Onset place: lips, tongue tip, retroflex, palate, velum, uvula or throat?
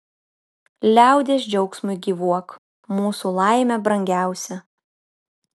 tongue tip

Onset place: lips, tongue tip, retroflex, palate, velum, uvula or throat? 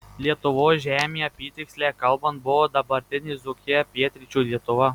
tongue tip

